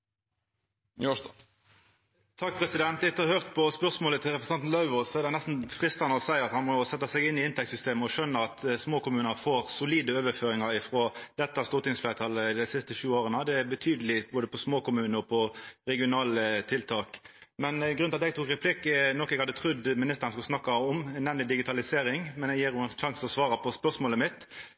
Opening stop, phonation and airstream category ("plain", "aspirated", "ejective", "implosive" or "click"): aspirated